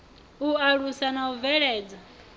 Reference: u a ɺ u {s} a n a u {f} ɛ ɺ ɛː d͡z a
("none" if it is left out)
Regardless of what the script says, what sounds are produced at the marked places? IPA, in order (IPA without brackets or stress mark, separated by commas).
s, v